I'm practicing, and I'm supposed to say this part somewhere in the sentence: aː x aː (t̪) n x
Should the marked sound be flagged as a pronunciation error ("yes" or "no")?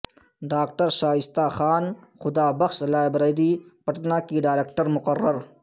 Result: yes